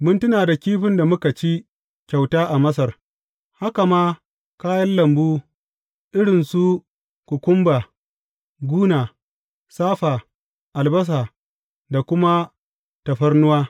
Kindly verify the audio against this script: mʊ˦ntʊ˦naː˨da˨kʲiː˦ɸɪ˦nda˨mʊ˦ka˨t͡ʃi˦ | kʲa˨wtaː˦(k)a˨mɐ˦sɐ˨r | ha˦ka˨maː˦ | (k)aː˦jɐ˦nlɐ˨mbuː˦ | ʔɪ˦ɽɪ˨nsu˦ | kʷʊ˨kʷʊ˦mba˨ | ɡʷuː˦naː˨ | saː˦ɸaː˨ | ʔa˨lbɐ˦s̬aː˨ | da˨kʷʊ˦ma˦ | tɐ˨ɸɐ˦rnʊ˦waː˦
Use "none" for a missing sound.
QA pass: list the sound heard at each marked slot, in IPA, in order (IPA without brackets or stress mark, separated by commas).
ʔ, k